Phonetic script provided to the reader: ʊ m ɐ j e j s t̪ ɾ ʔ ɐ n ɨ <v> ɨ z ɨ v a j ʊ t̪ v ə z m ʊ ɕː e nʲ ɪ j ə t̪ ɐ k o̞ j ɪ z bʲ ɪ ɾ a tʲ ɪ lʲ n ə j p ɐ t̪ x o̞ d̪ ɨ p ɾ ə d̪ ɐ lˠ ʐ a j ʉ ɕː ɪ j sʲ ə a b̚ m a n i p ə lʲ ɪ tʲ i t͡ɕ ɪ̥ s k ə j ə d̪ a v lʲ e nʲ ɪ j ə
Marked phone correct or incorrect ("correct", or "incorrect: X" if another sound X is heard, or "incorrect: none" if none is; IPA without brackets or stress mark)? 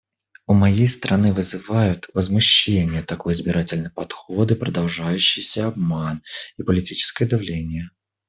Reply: correct